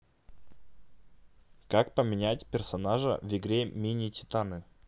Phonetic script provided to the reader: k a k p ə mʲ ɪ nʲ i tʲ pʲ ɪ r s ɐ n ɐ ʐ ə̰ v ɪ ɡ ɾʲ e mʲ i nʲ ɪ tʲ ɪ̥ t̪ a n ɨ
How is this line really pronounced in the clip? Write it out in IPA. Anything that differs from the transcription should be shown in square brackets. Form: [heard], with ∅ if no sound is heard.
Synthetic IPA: k a k p ə mʲ ɪ nʲ [æ] tʲ pʲ ɪ r s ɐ n [a] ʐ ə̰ v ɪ ɡ ɾʲ e mʲ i nʲ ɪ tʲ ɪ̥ t̪ a n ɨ

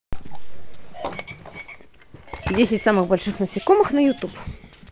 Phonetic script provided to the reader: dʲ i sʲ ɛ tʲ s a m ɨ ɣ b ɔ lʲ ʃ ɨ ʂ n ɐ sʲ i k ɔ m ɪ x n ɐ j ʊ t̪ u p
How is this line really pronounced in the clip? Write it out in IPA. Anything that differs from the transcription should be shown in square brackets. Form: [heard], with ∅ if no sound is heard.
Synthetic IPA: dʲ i sʲ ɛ tʲ s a m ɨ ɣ b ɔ lʲ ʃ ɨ [x] n ɐ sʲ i k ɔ m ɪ x n ɐ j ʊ t̪ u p

